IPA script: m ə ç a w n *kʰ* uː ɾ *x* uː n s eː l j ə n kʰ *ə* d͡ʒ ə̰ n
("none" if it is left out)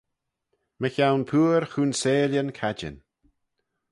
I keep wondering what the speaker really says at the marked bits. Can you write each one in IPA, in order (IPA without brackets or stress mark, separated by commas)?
pʰ, x, a